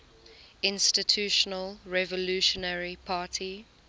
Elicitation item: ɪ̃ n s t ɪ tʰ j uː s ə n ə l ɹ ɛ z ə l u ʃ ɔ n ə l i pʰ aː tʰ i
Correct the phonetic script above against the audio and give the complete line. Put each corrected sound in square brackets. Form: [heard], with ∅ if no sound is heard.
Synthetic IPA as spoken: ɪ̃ n s t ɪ tʰ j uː [ʃ] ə n ə l ɹ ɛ [v] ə l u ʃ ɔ n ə [ɹ] i pʰ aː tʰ i